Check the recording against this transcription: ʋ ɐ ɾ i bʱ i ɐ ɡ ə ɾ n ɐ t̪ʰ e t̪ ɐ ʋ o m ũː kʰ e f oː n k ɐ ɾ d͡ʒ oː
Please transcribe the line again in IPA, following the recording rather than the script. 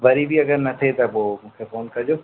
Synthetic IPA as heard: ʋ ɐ ɾ i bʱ i ɐ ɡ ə ɾ n ɐ t̪ʰ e t̪ ɐ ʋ o m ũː kʰ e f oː n k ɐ ɾ d͡ʒ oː